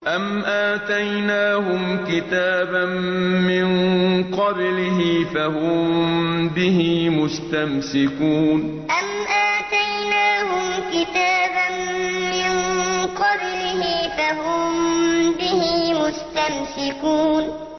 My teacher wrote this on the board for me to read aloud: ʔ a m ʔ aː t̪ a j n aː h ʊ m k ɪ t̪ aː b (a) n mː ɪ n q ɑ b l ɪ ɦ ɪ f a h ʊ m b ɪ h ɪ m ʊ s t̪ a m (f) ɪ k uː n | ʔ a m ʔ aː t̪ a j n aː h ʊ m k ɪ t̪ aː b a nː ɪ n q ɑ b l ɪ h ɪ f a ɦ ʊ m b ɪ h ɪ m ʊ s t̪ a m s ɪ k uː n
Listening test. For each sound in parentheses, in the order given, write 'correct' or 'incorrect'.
correct, incorrect: s

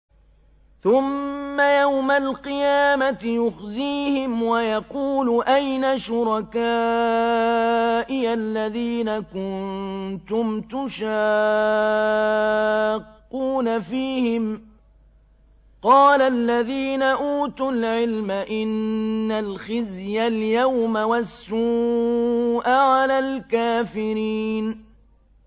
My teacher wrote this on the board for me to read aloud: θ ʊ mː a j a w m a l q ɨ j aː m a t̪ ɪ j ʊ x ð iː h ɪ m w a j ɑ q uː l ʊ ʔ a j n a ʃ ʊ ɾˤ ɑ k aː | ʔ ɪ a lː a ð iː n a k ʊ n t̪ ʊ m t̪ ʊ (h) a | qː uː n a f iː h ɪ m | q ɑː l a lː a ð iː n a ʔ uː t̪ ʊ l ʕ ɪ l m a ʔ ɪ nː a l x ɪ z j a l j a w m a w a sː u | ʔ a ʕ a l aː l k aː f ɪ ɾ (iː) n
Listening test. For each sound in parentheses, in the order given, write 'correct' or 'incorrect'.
incorrect: ʃ, correct

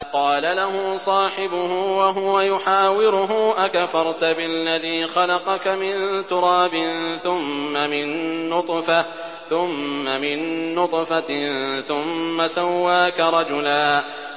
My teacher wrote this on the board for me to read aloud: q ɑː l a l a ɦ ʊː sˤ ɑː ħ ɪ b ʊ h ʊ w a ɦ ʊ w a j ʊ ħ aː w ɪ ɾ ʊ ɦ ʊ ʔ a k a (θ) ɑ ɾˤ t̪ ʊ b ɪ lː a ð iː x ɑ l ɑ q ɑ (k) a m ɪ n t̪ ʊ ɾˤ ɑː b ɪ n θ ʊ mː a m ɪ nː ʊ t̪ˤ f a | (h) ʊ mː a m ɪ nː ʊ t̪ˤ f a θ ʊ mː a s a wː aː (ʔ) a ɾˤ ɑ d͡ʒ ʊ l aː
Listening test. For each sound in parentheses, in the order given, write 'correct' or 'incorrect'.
incorrect: f, correct, incorrect: θ, incorrect: k

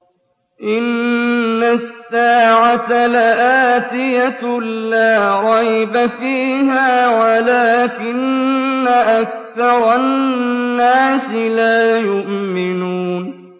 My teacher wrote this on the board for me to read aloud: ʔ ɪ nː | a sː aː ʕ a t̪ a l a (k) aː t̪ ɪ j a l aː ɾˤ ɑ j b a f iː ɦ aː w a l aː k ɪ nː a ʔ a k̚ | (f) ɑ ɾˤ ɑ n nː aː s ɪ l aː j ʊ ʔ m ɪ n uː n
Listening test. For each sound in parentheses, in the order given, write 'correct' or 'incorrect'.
incorrect: ʔ, incorrect: θ

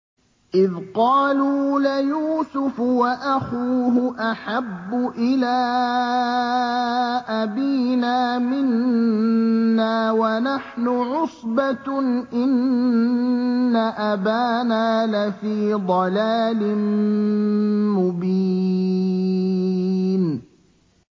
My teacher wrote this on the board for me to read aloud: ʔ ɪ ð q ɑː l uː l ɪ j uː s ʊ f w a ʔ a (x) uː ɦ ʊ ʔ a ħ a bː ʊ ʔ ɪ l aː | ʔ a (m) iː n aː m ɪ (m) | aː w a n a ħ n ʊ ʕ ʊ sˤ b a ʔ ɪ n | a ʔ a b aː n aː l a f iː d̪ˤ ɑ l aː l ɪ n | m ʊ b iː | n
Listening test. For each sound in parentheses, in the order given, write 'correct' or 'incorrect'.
correct, incorrect: b, incorrect: n

